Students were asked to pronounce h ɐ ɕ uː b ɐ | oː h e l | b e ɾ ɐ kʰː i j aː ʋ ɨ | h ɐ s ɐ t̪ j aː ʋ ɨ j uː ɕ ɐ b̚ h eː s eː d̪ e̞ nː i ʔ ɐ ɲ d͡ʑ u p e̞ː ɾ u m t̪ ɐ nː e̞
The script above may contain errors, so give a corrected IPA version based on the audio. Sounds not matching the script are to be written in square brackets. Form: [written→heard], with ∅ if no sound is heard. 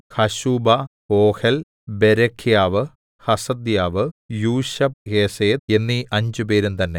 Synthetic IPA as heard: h ɐ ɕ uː b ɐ | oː h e l | b e ɾ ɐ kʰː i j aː ʋ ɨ | h ɐ s ɐ [t̪→d̪] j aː ʋ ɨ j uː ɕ ɐ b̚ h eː s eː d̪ e̞ nː i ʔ ɐ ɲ d͡ʑ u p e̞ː ɾ u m t̪ ɐ nː e̞